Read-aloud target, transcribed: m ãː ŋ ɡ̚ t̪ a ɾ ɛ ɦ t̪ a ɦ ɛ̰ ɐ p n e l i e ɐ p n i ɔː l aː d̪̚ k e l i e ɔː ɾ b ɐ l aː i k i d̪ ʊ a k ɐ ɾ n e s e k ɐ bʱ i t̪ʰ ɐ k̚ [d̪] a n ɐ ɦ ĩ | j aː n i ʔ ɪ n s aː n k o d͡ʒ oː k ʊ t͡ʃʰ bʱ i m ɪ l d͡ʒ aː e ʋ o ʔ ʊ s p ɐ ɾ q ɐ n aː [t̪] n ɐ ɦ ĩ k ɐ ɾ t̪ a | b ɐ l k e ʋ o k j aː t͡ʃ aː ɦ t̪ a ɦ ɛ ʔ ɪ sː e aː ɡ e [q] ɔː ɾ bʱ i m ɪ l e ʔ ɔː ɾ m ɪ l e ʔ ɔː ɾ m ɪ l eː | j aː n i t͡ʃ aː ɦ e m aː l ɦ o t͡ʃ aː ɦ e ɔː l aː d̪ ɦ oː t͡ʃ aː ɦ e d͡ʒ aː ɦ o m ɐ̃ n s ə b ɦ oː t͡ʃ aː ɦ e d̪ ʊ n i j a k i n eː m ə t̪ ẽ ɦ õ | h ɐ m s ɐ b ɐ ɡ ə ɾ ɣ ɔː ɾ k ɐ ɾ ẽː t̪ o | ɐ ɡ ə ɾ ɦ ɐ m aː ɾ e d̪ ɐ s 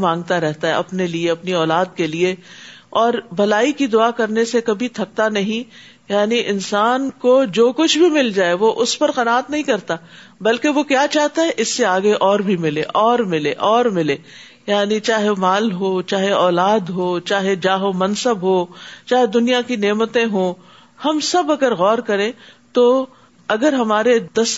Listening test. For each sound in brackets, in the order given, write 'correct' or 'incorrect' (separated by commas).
incorrect, correct, incorrect